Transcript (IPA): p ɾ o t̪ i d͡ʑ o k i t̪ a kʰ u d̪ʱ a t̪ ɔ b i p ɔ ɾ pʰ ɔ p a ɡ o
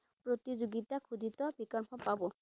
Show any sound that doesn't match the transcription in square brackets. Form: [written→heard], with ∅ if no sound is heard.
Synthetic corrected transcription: p ɾ o t̪ i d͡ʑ o [k→ɡ] i t̪ a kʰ u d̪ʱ [a→i] t̪ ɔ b i [p→k] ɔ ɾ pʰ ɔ p a [ɡ→b] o